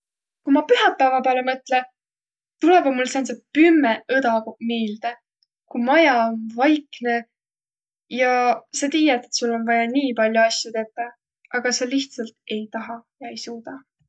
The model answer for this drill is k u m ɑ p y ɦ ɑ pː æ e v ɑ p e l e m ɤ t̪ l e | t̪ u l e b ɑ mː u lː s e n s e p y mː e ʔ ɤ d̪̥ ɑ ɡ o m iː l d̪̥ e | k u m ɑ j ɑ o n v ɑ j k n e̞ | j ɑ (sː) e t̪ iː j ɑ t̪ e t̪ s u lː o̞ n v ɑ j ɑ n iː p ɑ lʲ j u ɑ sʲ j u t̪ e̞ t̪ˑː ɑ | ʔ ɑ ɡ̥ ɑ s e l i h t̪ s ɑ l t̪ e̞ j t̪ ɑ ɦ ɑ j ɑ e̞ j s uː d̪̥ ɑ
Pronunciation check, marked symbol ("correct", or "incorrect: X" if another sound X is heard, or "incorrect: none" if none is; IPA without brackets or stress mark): incorrect: s